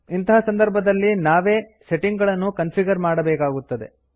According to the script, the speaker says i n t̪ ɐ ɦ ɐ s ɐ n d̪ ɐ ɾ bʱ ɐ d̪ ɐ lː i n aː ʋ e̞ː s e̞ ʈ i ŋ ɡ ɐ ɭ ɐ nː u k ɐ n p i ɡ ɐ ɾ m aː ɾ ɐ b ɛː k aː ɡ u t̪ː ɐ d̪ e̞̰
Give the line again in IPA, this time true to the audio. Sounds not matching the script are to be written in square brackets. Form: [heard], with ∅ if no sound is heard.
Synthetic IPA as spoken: i n t̪ ɐ ɦ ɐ s ɐ n d̪ ɐ ɾ bʱ ɐ d̪ ɐ lː i n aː ʋ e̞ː s e̞ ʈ i ŋ ɡ ɐ ɭ ɐ nː u k ɐ n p i ɡ ɐ ɾ m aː [ɽ] ɐ b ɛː k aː ɡ u t̪ː ɐ d̪ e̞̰